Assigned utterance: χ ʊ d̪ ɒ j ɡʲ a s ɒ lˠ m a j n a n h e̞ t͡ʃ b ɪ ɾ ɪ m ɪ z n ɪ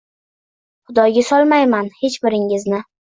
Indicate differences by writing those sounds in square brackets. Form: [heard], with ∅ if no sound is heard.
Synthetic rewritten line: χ ʊ d̪ ɒ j ɡʲ a s ɒ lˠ m a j [m] a n h e̞ t͡ʃ b ɪ ɾ ɪ [ŋ] ɪ z n ɪ